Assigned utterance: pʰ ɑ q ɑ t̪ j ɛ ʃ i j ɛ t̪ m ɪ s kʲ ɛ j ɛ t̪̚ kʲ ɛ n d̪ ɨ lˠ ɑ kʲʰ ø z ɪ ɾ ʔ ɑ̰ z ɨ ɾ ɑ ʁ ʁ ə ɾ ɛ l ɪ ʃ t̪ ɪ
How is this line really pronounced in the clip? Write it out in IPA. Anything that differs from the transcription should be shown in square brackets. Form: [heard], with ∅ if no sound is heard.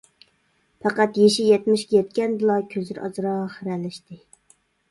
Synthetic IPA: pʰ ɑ q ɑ t̪ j [e] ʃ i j ɛ t̪ m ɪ [ʃ] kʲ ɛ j ɛ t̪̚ kʲ ɛ n d̪ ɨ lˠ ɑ kʲʰ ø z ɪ ɾ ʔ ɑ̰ z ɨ ɾ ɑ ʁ [χ] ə ɾ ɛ l ɪ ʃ t̪ ɪ